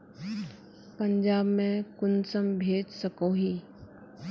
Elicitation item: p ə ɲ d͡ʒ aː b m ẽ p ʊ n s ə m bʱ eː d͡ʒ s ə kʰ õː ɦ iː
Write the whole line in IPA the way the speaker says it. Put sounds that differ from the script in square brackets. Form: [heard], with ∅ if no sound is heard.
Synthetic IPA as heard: p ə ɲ d͡ʒ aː b m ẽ [k] ʊ n s ə m bʱ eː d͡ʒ s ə [k] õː ɦ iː